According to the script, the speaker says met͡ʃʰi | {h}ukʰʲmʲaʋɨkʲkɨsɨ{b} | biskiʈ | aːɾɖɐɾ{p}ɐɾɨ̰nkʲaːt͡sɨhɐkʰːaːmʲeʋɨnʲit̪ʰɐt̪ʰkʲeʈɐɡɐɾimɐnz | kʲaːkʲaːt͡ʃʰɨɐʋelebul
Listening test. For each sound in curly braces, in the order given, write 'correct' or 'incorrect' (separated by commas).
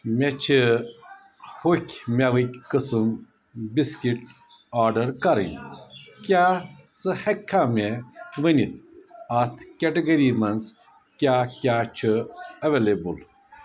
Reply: correct, incorrect, incorrect